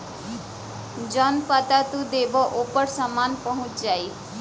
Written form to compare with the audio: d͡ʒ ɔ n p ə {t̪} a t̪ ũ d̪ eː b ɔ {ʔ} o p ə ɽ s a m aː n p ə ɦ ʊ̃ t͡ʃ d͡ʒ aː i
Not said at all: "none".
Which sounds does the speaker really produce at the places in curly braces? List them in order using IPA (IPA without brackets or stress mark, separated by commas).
t̪, ʔ